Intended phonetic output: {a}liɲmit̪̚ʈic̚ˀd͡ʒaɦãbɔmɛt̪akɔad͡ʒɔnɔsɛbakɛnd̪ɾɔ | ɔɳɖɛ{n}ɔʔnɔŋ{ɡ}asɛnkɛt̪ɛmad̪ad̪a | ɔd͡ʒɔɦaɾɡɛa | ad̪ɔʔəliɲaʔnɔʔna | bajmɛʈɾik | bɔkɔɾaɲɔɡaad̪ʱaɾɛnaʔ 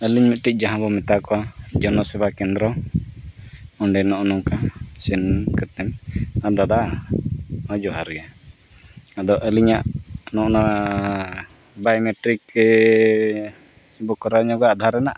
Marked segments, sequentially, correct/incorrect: incorrect: ə, correct, incorrect: k

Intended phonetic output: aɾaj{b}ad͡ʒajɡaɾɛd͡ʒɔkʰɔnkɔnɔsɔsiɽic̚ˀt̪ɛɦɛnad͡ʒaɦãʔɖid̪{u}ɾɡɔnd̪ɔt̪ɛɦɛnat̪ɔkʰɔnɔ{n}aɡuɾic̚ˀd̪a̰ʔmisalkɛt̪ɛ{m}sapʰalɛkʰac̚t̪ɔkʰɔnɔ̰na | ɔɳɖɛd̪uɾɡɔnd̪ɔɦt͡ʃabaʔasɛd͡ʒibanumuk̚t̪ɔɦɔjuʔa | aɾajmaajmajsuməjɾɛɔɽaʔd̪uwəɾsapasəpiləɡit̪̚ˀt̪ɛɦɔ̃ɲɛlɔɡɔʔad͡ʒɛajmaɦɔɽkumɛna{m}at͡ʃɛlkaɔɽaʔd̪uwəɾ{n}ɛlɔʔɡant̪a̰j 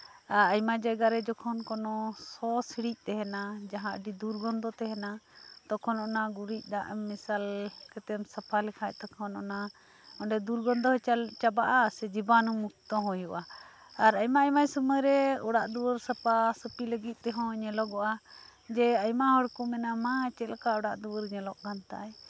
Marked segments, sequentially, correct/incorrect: incorrect: m, correct, correct, correct, correct, incorrect: ɲ

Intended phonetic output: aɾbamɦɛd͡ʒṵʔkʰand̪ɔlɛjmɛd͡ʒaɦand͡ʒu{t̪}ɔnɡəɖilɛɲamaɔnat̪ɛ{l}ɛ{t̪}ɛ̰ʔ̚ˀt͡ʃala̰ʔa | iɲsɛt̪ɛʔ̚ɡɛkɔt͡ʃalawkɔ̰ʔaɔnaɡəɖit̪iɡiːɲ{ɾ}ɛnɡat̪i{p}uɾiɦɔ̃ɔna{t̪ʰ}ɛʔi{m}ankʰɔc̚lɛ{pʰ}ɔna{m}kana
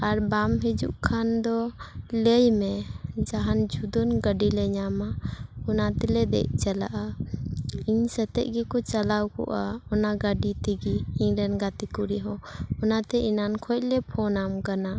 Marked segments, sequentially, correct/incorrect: incorrect: d̪, correct, incorrect: d̪, correct, incorrect: k, incorrect: t̪, incorrect: n, correct, correct

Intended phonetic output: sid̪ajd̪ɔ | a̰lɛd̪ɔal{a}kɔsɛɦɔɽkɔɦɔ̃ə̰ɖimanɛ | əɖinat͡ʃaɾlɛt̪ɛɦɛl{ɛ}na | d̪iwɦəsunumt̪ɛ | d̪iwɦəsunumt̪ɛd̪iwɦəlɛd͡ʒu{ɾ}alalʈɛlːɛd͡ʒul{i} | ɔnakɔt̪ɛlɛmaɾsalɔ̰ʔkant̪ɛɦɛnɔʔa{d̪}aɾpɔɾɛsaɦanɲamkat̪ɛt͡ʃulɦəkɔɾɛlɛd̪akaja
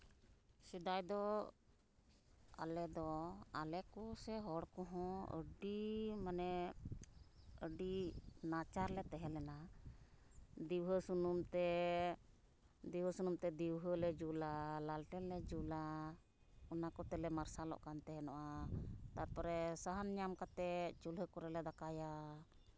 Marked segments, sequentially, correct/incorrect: incorrect: ɛ, correct, incorrect: l, incorrect: a, incorrect: t̪

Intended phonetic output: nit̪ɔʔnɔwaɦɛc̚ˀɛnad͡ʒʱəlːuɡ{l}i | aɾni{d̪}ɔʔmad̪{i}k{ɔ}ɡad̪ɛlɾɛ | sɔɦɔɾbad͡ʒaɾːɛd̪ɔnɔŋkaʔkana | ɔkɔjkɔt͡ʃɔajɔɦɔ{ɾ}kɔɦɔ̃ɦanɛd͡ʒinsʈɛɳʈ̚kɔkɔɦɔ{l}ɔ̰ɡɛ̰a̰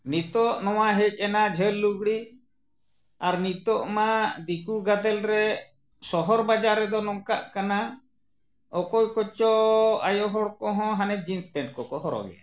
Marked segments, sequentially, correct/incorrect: incorrect: ɽ, incorrect: t̪, correct, incorrect: u, incorrect: ɽ, incorrect: ɾ

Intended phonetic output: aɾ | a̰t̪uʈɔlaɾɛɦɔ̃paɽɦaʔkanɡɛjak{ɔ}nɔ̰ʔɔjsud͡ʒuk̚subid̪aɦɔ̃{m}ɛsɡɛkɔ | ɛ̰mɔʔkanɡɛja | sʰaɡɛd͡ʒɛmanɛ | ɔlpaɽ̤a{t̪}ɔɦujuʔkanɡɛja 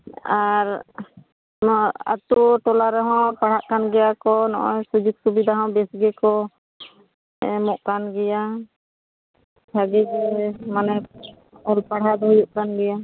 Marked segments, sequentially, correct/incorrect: correct, incorrect: b, incorrect: d̪

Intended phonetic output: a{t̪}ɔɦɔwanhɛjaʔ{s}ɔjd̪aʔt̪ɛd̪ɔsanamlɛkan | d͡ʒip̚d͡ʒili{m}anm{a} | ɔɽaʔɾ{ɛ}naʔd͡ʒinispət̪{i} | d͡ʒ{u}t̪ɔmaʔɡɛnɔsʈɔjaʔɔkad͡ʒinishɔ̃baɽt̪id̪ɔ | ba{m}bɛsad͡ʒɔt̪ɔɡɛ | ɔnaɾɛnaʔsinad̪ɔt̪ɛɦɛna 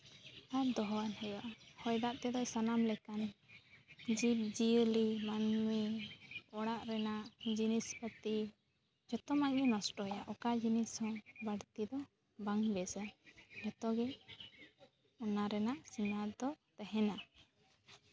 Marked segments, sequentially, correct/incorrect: incorrect: d̪, incorrect: h, correct, incorrect: i, correct, correct, incorrect: ɔ, incorrect: ŋ

